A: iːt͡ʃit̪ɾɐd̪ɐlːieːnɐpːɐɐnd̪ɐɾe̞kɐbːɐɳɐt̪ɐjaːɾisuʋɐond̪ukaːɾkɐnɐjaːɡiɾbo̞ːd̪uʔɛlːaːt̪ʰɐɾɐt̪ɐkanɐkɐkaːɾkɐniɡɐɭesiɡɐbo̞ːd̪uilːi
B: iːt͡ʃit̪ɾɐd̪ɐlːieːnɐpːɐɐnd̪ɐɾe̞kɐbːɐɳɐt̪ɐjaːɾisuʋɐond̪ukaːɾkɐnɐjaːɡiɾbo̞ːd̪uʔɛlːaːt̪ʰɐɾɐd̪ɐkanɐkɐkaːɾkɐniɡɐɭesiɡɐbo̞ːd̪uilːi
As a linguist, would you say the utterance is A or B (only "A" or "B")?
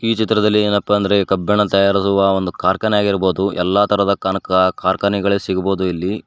B